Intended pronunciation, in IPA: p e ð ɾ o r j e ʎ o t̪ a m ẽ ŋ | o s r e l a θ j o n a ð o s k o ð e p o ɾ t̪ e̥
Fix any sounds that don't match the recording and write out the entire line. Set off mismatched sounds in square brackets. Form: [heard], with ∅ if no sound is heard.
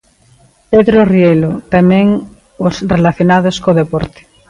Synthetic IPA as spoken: p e ð ɾ o r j e [l] o t̪ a m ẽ ŋ | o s r e l a θ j o n a ð o s k o ð e p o ɾ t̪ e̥